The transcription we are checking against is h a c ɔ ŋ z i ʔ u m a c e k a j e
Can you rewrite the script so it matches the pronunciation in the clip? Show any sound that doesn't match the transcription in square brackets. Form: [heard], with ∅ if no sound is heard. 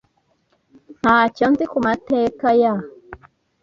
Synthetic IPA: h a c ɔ [n] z i [k] u m a [t] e k a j [a]